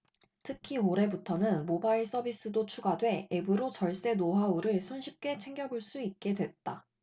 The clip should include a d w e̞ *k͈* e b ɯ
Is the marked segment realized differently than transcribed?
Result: yes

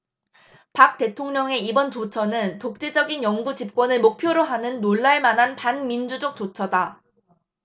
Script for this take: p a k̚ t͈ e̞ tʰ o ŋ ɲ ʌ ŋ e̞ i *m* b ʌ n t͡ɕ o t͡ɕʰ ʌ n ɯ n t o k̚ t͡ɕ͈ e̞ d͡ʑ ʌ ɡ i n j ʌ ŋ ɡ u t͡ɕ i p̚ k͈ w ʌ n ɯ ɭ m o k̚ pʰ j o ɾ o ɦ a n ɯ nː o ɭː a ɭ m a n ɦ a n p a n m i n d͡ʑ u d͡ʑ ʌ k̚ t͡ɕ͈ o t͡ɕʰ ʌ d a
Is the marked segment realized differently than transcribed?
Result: yes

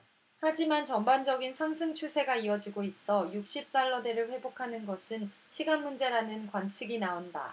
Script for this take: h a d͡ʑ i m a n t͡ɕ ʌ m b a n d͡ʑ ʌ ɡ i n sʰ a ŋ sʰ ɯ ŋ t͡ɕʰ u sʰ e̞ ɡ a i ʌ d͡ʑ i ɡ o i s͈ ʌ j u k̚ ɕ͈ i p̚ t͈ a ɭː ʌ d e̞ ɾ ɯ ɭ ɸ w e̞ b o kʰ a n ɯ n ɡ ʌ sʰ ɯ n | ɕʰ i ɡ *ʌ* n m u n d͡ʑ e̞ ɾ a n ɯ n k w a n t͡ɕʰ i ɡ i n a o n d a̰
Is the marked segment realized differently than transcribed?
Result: yes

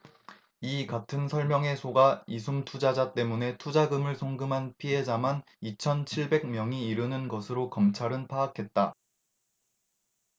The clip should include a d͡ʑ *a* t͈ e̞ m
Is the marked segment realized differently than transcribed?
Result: no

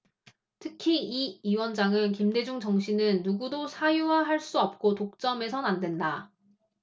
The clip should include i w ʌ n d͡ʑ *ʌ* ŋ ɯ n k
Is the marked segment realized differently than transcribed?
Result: yes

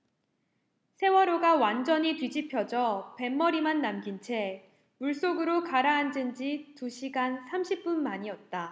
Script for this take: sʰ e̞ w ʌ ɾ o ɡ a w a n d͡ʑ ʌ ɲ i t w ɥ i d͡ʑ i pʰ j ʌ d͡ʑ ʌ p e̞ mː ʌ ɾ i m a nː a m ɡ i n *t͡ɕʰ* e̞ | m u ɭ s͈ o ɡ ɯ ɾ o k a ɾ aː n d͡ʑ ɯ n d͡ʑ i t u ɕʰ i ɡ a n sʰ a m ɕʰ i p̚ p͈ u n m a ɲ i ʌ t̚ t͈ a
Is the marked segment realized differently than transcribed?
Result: no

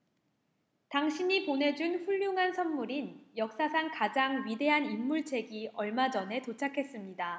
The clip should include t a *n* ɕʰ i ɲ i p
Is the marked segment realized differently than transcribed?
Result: yes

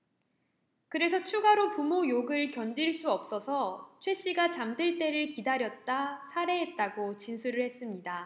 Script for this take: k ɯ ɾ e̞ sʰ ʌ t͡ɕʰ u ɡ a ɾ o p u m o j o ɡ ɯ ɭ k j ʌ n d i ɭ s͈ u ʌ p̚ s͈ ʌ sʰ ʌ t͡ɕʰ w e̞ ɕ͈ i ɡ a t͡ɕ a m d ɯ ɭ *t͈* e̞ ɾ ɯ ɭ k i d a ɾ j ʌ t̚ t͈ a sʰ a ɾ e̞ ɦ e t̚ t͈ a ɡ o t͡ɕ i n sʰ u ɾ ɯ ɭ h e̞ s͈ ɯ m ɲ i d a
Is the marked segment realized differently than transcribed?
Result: no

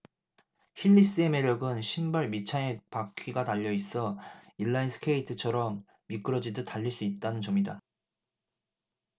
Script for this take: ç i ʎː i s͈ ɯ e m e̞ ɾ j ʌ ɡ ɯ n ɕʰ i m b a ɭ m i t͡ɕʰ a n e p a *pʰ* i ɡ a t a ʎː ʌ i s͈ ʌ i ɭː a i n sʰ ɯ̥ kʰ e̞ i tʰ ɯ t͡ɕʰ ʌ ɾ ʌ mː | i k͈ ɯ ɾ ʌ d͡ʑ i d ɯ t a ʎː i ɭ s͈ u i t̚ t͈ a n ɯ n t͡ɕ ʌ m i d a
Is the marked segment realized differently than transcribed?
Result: yes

